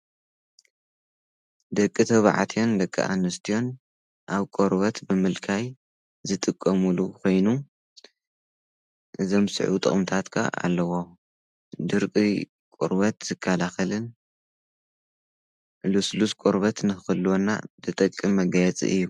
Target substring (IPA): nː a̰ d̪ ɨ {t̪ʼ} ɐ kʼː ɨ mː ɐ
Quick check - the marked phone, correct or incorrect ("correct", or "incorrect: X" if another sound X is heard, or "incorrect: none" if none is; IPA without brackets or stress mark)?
correct